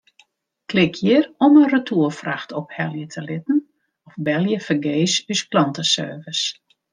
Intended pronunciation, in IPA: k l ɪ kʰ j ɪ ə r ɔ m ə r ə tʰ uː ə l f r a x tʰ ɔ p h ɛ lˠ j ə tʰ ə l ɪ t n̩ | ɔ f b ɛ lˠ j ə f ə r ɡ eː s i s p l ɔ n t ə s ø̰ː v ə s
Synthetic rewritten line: k l ɪ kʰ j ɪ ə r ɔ m ə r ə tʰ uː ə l f r a x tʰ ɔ p h ɛ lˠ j ə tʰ ə l ɪ t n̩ | ɔ f b ɛ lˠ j ə f ə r ɡ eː s y s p l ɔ n t ə s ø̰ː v ə s